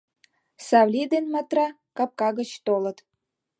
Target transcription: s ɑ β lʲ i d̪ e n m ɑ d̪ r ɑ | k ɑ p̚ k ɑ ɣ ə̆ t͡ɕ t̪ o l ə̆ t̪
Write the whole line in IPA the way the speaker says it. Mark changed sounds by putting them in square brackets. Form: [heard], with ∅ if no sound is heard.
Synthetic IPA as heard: s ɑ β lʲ i d̪ e n m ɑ [t̪] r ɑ | k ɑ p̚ k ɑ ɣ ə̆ t͡ɕ t̪ o l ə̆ t̪